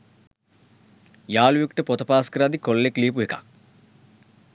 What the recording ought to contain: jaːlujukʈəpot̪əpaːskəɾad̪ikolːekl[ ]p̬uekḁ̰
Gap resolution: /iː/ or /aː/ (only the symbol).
iː